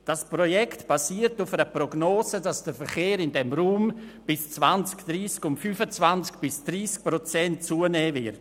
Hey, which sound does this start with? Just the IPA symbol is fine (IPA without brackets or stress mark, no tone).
d̥